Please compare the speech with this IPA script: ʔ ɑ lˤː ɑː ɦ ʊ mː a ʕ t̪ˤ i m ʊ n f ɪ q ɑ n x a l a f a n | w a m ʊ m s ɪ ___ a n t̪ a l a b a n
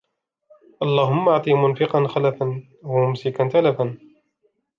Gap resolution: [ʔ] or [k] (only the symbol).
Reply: k